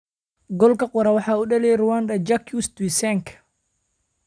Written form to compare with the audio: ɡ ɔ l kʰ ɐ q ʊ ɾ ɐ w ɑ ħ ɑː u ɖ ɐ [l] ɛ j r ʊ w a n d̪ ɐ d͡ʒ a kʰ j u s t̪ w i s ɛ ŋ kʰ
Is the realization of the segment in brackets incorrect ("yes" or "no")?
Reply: no